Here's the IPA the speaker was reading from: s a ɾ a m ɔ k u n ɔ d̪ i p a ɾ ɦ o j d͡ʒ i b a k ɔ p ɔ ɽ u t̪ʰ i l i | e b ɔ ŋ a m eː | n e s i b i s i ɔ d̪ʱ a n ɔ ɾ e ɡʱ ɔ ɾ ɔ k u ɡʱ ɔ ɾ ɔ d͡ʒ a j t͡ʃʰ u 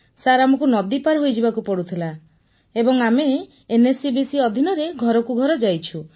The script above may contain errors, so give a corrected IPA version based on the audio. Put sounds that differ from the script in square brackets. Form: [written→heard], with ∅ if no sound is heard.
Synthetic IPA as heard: s a ɾ a m ɔ k u n ɔ d̪ i p a ɾ ɦ o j d͡ʒ i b a k [ɔ→u] p ɔ ɽ u t̪ʰ i l [i→a] | e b ɔ ŋ a m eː | n e s i b i s i ɔ d̪ʱ [a→i] n ɔ ɾ e ɡʱ ɔ ɾ ɔ k u ɡʱ ɔ ɾ ɔ d͡ʒ a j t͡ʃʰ u